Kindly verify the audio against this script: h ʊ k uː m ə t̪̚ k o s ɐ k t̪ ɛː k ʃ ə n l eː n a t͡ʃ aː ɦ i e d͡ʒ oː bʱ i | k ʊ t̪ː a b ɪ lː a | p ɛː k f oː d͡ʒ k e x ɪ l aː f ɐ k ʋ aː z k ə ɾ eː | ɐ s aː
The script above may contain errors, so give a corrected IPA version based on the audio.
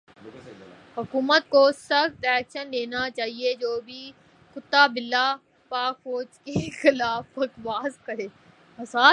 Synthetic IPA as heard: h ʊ k uː m ə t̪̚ k o s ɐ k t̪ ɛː k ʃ ə n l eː n a t͡ʃ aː ɦ i e d͡ʒ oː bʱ i | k ʊ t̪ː a b ɪ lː a | p aː k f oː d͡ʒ k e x ɪ l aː f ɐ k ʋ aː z k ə ɾ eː | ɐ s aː